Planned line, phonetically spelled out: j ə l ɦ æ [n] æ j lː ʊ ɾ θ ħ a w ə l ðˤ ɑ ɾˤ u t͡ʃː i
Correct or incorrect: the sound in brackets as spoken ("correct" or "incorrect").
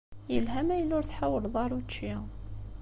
incorrect